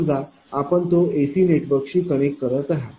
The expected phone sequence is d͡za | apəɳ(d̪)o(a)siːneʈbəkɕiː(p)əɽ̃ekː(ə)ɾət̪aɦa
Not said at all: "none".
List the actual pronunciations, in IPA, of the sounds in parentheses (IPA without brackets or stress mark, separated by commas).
t̪, e, k, ə